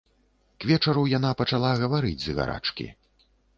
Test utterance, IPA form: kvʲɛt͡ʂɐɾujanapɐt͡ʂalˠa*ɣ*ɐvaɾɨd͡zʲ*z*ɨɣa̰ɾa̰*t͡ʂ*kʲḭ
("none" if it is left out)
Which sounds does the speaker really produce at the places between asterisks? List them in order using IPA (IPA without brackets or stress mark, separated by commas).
ɣ, z, t͡ʂ